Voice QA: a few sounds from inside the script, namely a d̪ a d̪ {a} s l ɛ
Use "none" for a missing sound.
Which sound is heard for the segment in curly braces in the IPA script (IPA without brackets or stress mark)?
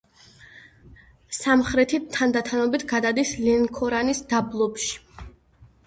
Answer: i